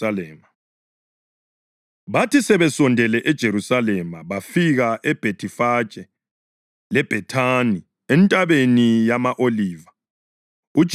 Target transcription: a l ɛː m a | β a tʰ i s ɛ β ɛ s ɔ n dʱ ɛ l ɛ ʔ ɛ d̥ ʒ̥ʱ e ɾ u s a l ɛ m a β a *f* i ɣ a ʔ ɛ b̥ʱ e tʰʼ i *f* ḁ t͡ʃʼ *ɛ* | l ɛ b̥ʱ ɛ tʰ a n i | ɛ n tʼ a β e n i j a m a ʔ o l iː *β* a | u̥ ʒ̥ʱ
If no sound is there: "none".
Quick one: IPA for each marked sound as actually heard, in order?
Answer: f, f, ɛ, v

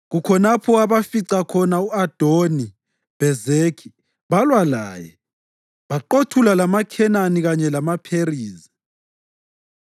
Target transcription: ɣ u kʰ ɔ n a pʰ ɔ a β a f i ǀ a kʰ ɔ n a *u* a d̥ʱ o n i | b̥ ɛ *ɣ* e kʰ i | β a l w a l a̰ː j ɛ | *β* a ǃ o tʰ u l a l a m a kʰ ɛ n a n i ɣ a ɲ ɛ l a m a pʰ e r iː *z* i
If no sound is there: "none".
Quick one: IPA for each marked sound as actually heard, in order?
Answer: u, z, β, z

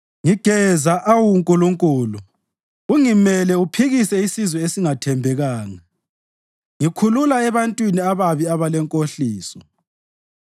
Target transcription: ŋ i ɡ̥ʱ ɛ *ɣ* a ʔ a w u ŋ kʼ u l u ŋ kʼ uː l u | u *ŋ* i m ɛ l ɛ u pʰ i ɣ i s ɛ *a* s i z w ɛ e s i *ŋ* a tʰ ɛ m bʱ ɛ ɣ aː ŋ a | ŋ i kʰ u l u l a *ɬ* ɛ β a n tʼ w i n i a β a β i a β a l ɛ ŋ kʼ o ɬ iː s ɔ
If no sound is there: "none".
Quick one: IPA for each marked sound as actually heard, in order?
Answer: z, ŋ, i, ŋ, none

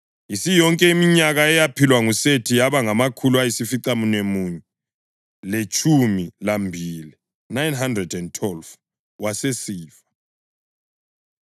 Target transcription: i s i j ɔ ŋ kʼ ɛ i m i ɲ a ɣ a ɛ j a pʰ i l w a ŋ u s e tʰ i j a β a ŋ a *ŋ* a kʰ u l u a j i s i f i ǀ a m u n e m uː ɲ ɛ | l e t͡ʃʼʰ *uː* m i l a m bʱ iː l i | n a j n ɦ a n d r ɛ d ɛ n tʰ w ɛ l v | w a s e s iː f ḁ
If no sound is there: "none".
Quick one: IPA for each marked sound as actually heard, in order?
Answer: m, u

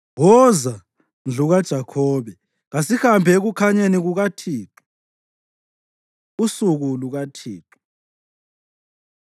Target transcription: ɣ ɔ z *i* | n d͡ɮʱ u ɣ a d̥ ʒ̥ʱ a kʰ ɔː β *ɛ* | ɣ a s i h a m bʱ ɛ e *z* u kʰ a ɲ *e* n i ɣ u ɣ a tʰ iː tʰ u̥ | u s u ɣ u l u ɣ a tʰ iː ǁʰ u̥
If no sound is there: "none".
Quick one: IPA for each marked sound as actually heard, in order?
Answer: a, ɛ, ɣ, e

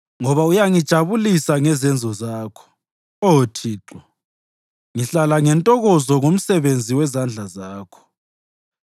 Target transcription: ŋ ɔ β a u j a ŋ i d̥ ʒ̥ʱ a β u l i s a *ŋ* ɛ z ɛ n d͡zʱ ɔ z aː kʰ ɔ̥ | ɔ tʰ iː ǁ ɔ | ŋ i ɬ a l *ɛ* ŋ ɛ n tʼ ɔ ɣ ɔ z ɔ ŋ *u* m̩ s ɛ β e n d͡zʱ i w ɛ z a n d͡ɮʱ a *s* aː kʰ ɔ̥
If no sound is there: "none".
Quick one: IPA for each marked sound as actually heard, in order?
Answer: ŋ, a, o, z

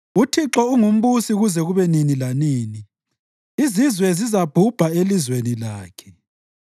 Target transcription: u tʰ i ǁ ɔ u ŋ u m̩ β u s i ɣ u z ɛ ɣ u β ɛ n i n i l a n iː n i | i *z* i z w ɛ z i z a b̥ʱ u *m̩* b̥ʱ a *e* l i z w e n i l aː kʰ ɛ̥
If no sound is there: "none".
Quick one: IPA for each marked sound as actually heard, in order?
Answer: z, none, e

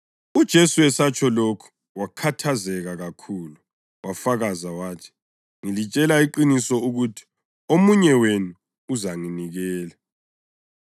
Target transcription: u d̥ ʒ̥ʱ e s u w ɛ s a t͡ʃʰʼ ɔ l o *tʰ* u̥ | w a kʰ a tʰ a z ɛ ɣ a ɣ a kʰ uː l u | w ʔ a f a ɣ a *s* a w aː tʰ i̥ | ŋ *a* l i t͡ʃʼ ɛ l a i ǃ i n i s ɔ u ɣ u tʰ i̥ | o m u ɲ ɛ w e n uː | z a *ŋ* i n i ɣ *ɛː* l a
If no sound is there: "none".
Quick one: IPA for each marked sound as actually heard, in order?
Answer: kʰ, z, i, ŋ, ɛː

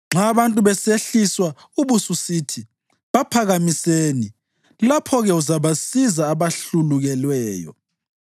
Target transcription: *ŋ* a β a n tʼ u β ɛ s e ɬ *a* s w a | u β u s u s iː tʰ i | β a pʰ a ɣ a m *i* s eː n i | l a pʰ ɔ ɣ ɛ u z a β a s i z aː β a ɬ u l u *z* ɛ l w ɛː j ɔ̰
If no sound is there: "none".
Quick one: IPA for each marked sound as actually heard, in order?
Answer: ŋ͡ǁ, i, i, ɣ

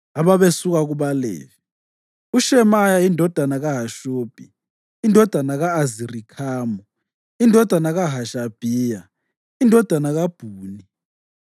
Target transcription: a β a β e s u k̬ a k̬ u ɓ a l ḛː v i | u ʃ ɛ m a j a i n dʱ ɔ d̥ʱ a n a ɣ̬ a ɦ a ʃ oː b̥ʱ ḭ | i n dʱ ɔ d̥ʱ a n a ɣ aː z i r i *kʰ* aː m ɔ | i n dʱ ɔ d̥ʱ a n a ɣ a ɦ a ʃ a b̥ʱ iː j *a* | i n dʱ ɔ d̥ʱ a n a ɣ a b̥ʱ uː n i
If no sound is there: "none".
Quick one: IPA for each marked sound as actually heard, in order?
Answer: kʰ, a

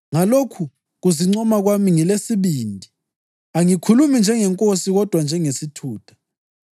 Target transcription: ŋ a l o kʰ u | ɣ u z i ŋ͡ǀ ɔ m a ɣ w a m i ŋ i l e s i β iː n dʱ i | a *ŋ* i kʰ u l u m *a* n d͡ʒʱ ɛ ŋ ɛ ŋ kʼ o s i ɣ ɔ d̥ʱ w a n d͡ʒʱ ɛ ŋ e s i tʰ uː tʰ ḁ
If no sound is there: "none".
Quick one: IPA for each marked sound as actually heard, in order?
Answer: ŋ, i

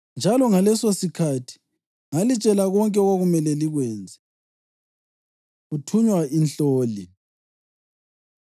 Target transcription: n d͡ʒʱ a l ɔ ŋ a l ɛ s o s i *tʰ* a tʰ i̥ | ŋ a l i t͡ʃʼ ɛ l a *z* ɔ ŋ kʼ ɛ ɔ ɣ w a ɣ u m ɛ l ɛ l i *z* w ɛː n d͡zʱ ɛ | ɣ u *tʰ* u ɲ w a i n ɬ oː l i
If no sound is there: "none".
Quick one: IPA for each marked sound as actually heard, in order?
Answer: kʰ, ɣ, ɣ, tʰ

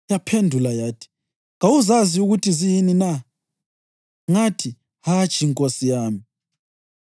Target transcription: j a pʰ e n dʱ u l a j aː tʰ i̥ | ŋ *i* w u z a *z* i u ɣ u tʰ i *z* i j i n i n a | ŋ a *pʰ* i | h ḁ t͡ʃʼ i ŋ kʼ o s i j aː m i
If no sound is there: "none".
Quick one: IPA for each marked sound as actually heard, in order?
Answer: a, z, z, tʰ

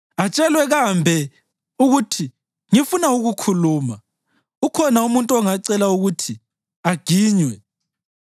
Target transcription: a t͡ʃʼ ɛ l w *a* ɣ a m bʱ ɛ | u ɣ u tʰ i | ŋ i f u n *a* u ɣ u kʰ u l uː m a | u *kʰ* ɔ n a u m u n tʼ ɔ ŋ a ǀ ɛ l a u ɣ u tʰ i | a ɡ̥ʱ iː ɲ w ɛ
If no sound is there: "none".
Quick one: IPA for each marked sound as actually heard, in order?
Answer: ɛ, a, kʰ

